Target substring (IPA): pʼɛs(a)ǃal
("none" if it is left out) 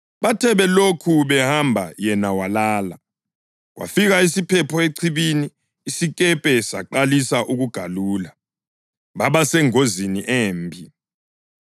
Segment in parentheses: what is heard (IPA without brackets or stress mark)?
a